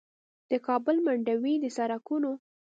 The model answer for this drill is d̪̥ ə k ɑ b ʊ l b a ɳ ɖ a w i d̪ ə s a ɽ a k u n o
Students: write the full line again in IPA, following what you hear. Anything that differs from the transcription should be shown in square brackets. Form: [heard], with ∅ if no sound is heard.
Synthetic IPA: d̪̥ ə k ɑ b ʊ l [m] a ɳ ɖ a w i d̪ ə s a [ɾ] a k u n o

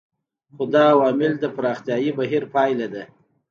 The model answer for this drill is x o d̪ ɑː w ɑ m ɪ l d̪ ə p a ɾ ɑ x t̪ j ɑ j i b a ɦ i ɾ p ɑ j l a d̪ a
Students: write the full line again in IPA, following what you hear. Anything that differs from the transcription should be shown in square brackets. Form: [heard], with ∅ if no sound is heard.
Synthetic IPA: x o d̪ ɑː w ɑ m ɪ l d̪ ə p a ɾ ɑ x t̪ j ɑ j i b a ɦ i ɾ p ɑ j l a d̪ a

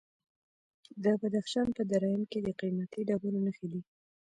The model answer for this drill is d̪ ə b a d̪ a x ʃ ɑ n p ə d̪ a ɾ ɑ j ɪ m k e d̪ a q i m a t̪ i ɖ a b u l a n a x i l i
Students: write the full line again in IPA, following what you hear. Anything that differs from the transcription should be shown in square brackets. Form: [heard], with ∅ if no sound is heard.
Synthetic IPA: d̪ ə b a d̪ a x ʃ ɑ n p ə d̪ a ɾ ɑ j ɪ m k e d̪ [ə] q i m a t̪ i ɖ a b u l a n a x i l i

